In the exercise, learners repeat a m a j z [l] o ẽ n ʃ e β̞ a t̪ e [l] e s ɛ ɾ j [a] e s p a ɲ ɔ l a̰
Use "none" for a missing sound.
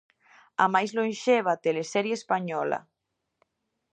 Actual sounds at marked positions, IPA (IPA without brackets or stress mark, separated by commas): l, l, e